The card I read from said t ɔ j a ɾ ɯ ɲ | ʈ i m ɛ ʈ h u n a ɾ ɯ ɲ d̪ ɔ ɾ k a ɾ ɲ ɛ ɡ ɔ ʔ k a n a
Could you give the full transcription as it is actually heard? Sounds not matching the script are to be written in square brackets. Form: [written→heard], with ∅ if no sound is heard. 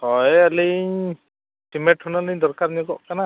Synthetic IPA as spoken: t ɔ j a [ɾ→l] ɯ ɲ | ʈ i m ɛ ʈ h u n a [ɾ→l] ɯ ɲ d̪ ɔ ɾ k a ɾ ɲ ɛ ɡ ɔ ʔ k a n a